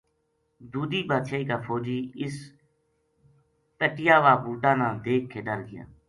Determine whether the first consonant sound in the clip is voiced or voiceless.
voiced